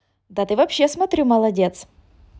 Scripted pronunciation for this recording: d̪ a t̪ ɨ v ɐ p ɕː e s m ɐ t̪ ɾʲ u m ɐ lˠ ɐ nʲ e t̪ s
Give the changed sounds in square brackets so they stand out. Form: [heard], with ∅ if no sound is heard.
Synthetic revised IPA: d̪ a t̪ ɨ v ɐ p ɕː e s m ɐ t̪ ɾʲ u m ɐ lˠ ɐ [dʲ] e t̪ s